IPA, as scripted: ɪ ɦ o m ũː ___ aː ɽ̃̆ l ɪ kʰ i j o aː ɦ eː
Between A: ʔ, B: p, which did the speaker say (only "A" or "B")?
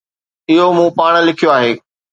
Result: B